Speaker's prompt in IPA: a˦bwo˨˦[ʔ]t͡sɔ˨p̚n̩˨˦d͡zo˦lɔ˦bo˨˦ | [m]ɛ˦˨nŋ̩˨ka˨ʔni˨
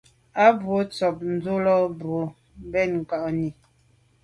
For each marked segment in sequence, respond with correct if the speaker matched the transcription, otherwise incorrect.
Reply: incorrect, incorrect

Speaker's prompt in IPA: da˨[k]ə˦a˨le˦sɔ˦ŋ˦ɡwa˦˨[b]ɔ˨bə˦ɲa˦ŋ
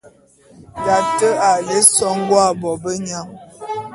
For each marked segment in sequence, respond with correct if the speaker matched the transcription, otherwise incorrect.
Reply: incorrect, correct

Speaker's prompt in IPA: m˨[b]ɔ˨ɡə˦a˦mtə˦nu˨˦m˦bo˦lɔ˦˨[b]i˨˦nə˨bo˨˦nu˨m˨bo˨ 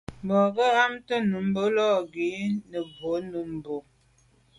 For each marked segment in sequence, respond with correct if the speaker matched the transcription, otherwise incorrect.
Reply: correct, incorrect

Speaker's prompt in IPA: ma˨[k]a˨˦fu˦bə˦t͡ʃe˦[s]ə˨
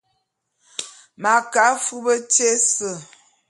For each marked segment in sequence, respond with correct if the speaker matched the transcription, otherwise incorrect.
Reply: correct, correct

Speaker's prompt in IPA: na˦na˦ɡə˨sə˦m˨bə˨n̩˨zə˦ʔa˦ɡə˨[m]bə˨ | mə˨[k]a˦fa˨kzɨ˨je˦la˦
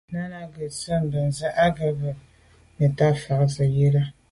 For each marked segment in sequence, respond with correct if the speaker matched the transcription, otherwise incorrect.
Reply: incorrect, incorrect

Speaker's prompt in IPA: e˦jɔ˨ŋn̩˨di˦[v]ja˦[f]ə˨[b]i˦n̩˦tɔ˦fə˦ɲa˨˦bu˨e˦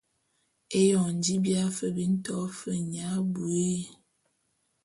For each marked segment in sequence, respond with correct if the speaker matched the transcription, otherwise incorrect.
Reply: incorrect, correct, correct

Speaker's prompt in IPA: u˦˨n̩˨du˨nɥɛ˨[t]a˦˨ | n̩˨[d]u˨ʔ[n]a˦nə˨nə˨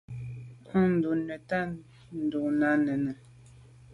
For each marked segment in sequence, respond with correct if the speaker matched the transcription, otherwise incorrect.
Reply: correct, correct, correct

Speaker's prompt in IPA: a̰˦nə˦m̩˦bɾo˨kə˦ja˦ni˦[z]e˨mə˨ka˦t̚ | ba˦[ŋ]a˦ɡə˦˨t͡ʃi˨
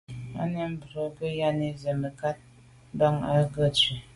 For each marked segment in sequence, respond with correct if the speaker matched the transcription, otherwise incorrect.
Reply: correct, correct

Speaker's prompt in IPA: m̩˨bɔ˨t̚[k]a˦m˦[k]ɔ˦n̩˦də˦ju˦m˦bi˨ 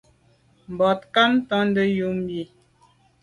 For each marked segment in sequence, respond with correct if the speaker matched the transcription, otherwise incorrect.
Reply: correct, incorrect

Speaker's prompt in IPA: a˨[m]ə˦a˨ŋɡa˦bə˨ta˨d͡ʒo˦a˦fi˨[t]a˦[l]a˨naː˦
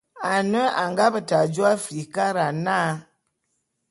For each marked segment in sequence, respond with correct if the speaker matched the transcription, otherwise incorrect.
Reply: incorrect, incorrect, incorrect

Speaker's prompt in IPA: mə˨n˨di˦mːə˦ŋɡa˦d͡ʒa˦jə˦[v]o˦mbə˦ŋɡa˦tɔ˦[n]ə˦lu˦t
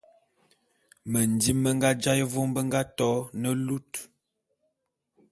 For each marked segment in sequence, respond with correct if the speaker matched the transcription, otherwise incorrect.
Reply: correct, correct

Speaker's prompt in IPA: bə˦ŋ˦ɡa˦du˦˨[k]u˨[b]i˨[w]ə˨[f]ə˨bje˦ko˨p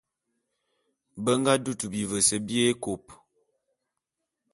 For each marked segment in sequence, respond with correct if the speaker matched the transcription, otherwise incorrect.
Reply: incorrect, correct, incorrect, incorrect

